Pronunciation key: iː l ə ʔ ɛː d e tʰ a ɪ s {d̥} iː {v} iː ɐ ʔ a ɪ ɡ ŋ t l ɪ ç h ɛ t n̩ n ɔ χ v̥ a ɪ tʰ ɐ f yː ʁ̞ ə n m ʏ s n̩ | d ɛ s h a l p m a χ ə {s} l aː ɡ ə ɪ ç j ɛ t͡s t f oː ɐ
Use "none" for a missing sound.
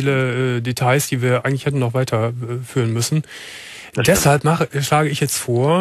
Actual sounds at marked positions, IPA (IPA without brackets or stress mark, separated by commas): d̥, v, ʃ